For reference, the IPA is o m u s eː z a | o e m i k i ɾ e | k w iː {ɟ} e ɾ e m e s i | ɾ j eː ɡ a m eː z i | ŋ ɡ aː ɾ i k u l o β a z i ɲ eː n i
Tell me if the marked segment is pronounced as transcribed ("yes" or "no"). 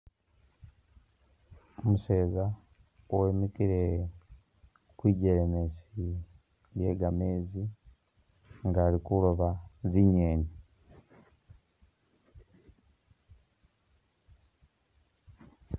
yes